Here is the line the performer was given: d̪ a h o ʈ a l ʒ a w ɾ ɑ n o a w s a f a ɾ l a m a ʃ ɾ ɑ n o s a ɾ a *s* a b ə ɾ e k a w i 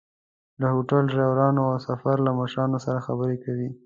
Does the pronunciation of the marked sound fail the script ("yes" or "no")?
yes